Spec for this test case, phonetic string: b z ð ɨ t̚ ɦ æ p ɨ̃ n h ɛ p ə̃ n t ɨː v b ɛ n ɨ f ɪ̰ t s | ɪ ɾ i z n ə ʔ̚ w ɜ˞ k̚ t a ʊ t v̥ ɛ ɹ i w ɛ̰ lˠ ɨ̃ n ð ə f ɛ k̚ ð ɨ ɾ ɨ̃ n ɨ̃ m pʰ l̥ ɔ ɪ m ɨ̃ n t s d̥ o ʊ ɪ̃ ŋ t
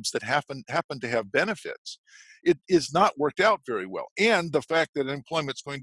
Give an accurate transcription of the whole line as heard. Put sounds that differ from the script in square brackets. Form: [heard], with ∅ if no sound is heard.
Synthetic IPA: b z ð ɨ t̚ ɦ æ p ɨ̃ n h [æ] p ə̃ n t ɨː v b ɛ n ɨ f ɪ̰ t s | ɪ ɾ [ɪ] z n ə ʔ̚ w ɜ˞ k̚ t a ʊ t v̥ ɛ ɹ i w ɛ̰ lˠ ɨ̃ n ð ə f [æ] k̚ ð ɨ ɾ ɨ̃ n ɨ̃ m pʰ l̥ ɔ ɪ m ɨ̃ n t s [ɡ̥] o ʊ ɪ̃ ŋ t